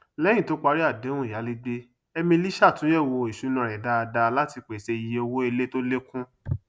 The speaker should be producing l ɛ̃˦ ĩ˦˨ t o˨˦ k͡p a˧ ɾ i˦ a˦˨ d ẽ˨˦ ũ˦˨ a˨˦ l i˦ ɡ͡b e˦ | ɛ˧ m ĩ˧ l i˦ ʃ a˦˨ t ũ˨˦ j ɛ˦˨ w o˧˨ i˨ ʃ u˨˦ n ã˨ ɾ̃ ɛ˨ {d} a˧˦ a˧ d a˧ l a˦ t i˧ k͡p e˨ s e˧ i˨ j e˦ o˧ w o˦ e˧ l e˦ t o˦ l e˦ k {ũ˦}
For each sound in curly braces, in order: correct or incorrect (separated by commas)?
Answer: correct, correct